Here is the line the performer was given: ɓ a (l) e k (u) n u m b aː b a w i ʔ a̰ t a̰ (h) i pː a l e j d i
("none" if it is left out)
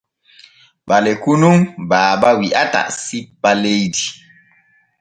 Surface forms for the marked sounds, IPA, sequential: l, u, s

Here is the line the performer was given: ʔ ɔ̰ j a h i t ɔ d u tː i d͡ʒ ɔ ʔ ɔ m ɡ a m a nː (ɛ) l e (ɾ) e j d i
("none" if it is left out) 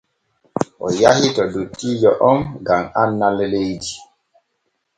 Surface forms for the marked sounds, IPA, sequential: a, l

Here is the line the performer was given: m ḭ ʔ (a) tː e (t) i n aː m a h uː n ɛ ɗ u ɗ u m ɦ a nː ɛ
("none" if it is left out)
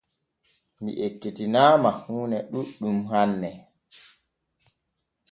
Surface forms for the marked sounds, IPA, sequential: e, t

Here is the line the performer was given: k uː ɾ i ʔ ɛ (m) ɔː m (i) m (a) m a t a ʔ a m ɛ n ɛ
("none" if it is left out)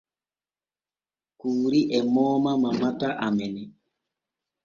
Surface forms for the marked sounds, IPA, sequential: m, a, a

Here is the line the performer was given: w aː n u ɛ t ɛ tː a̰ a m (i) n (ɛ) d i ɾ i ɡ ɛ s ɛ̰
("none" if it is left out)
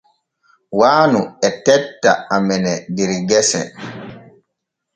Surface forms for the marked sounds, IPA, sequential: ɛ, ɛ

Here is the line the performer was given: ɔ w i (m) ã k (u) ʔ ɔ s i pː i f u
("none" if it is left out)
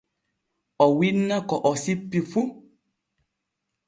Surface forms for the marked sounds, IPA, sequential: n, ɔ

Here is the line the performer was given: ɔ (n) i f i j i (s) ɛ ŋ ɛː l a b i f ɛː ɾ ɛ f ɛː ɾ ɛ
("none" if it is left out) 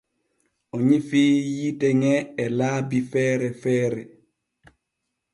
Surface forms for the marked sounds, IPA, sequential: ɲ, t

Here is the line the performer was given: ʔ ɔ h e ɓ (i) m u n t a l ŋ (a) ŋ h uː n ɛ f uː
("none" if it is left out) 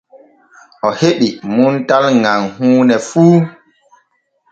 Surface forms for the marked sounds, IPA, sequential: i, a

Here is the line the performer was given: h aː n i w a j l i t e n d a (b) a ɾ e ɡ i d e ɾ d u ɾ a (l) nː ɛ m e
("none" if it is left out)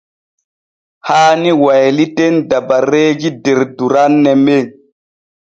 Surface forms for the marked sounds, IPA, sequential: b, none

